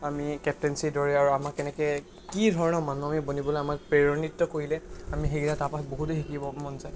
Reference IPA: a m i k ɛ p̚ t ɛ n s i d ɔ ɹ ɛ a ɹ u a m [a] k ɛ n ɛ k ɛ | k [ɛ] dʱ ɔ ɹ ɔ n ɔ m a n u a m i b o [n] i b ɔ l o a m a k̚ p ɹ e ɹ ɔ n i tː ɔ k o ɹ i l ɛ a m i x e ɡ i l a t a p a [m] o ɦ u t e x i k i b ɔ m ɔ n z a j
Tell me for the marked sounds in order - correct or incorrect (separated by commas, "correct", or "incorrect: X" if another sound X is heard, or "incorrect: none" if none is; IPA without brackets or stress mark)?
correct, incorrect: i, correct, incorrect: b